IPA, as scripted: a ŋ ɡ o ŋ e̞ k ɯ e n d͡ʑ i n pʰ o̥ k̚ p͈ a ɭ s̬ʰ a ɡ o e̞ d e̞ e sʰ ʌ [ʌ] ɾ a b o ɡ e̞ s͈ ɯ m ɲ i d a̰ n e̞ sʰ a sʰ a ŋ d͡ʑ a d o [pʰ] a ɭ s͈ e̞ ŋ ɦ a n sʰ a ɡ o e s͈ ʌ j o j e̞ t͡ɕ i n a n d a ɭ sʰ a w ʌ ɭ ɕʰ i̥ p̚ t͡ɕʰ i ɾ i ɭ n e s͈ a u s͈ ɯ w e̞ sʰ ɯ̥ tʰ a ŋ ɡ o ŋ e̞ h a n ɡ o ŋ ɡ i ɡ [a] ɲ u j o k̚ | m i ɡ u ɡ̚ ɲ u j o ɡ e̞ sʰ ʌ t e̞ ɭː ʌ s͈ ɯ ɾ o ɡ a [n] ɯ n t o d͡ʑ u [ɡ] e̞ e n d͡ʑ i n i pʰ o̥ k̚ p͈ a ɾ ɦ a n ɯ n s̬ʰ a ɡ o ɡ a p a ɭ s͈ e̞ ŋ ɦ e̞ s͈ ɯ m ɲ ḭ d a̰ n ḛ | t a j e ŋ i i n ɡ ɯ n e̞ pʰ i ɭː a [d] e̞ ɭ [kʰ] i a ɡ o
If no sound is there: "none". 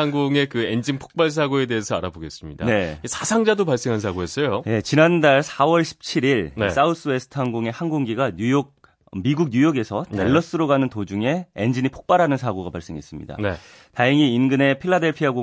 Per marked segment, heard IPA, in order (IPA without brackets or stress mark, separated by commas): a, p, a, n, ŋ, d, pʰ